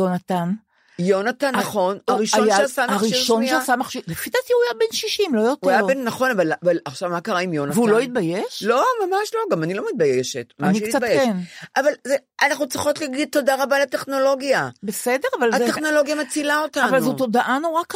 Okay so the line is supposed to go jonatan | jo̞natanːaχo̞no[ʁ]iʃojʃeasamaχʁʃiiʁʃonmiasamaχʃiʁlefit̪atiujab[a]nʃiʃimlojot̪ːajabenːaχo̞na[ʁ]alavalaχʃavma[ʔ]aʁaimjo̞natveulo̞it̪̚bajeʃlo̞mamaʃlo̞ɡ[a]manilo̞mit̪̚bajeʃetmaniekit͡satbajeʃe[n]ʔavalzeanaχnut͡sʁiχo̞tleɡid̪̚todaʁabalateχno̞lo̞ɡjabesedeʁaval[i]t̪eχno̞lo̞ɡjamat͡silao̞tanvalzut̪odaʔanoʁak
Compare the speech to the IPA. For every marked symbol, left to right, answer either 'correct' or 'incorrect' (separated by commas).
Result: correct, incorrect, incorrect, incorrect, correct, correct, incorrect